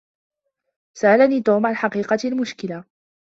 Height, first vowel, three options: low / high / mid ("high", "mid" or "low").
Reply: low